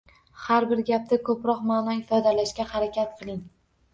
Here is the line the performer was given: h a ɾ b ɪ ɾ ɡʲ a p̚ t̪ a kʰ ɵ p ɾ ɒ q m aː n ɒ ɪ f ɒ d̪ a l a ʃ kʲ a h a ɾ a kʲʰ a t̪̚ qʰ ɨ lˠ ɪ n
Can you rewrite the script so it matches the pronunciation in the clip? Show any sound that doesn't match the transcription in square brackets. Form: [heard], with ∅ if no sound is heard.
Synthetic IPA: h a ɾ b ɪ ɾ ɡʲ a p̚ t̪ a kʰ ɵ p ɾ ɒ q m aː n ɒ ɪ f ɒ d̪ a l a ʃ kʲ a h a ɾ a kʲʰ a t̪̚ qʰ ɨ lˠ ɪ [ŋ]